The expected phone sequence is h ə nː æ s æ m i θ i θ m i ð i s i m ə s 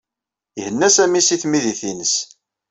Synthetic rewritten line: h ə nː æ s æ m i s i θ m i ð i θ i n ə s

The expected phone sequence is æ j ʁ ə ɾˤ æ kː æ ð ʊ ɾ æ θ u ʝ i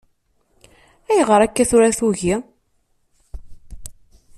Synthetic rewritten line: æ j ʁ ə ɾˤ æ kː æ θ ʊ ɾ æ θ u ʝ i

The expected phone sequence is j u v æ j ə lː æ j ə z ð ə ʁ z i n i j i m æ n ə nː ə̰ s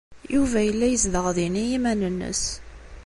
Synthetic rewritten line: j u v æ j ə lː æ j ə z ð ə ʁ ð i n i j i m æ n ə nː ə̰ s

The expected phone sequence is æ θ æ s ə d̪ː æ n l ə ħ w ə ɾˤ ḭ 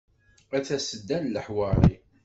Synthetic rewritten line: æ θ æ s ə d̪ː æ n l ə ħ w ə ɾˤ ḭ

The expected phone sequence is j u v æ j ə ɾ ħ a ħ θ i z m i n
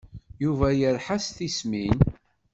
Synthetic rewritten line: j u v æ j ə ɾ ħ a s θ i s m i n

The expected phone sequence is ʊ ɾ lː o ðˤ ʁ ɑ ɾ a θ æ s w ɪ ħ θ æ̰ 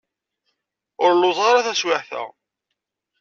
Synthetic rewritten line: ʊ ɾ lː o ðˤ ʁ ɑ ɾ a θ æ s w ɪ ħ θ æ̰

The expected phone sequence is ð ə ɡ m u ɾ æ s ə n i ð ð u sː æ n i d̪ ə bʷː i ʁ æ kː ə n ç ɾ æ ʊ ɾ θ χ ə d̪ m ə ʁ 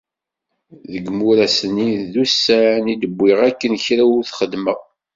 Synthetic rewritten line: ð ə ɡ m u ɾ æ s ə n i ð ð u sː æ n i d̪ ə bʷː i ʁ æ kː ə n ç ɾ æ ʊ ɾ θ χ ə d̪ m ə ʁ

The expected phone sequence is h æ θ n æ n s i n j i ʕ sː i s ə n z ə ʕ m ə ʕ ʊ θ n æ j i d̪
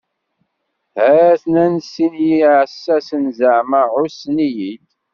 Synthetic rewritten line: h æ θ n æ n s i n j i ʕ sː æ s ə n z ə ʕ m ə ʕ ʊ s n i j i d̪

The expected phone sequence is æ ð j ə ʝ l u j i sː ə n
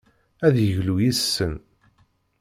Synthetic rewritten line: æ ð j ə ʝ l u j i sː ə n

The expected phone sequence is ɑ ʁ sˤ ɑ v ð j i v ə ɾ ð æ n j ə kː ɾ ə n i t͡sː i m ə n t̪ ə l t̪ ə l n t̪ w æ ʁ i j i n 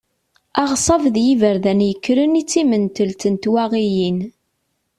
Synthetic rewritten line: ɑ ʁ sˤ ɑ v ð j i v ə ɾ ð æ n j ə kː ɾ ə n i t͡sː i m ə n t̪ ə l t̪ ə n t̪ w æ ʁ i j i n

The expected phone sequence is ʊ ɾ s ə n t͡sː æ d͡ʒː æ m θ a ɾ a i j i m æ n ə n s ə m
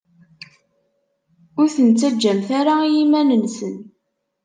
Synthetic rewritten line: ʊ ɾ θ ə n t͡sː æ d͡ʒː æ m θ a ɾ a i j i m æ n ə n s ə n

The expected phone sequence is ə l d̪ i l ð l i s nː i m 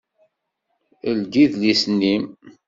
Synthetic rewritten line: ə l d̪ i ð l i s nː i m

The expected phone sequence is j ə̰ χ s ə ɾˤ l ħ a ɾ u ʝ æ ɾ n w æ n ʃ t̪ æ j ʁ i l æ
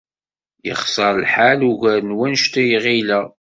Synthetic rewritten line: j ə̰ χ s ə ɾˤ l ħ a l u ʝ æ ɾ n w æ n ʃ t̪ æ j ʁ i l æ

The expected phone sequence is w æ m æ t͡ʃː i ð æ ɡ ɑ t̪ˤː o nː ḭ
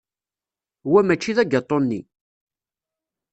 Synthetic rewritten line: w æ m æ t͡ʃː i ð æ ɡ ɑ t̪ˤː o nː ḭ

